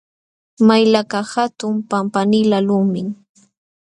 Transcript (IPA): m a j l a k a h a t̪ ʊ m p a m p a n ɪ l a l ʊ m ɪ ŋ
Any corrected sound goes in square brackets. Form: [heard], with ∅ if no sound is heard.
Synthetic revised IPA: m a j l a k a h a t̪ ʊ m p a m p a n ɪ l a l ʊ m ɪ ŋ

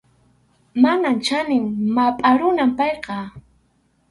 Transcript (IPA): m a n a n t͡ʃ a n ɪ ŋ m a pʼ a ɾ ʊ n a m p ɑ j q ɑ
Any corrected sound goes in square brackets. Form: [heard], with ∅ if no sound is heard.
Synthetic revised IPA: m a n a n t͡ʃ a n ɪ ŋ m a pʼ a ɾ ʊ n a m p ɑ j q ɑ

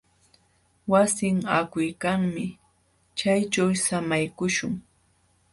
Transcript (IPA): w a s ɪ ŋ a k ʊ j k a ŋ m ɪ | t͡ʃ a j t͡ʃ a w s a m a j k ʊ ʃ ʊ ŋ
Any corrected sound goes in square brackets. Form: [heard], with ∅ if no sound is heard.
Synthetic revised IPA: w a s ɪ ŋ a k ʊ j k a ŋ m ɪ | t͡ʃ a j t͡ʃ a w s a m a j k ʊ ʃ ʊ ŋ

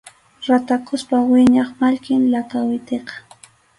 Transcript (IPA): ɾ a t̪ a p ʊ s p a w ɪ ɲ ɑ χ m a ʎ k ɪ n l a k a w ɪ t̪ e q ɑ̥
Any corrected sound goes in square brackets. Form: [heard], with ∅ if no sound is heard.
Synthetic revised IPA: ɾ a t̪ a [k] ʊ s p a w ɪ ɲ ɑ χ m a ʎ k ɪ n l a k a w ɪ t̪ e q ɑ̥

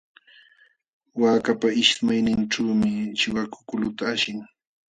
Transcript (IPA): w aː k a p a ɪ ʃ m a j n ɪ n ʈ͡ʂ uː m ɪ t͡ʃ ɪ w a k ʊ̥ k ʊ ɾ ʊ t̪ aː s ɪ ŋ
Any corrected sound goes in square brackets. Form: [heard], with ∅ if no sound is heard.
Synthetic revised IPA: w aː k a p a ɪ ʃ m a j n ɪ n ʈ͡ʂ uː m ɪ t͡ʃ ɪ w a k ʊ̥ k ʊ [l] ʊ t̪ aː [ʃ] ɪ ŋ

